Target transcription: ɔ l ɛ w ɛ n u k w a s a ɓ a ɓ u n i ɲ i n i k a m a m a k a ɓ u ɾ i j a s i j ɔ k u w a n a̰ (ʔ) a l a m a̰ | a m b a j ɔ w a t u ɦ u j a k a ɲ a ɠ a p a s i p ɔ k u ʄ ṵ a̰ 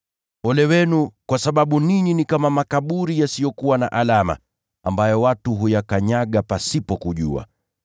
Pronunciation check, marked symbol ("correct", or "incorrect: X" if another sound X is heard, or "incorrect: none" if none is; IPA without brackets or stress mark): correct